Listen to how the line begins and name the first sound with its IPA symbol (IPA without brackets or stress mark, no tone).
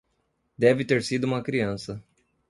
d̪